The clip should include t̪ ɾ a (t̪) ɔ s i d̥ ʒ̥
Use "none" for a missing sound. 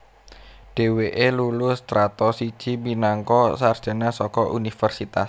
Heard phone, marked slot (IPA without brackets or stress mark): t̪